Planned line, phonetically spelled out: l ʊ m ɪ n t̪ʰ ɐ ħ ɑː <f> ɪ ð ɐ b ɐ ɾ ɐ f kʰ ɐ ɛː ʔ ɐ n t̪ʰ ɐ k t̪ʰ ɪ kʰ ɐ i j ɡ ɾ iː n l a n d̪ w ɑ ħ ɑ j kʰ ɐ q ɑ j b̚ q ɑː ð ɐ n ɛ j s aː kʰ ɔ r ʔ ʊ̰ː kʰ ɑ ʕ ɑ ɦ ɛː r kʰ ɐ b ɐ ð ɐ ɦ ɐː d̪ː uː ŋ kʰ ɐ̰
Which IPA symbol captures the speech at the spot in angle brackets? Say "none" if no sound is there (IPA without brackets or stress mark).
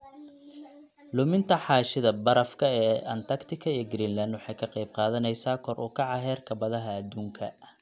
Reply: ʃ